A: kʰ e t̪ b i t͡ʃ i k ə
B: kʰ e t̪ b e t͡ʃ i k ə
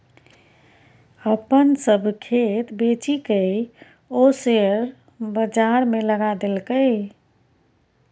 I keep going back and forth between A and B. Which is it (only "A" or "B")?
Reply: B